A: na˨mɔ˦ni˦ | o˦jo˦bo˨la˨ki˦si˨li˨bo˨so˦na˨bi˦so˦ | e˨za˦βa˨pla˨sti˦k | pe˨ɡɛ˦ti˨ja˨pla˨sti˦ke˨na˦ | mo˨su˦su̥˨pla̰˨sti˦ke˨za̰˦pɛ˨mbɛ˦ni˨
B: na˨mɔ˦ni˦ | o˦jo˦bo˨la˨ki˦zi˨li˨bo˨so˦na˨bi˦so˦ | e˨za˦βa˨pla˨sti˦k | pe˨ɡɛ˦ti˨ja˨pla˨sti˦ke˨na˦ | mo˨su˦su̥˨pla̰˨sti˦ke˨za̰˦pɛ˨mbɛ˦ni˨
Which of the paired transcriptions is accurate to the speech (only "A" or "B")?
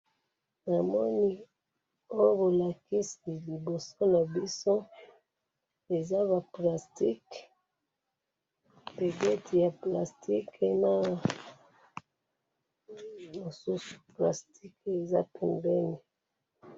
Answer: A